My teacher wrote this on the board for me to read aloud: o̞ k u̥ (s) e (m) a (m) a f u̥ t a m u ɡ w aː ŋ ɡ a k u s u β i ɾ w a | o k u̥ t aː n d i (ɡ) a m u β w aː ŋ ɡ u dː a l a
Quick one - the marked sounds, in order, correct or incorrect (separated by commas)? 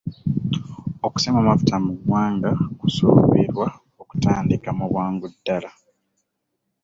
correct, correct, correct, incorrect